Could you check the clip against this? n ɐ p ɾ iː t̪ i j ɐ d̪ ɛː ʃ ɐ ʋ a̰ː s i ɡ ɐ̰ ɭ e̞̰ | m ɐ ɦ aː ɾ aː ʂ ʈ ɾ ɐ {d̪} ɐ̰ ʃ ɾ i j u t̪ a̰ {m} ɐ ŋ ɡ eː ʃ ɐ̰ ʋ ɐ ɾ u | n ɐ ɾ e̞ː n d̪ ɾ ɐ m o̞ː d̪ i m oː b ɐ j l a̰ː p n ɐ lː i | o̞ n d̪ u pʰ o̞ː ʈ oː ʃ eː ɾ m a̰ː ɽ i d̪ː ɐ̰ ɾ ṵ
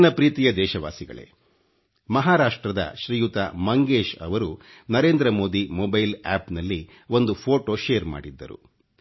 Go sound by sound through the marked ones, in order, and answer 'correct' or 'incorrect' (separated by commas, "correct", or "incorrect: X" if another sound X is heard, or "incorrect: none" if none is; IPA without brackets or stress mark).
correct, correct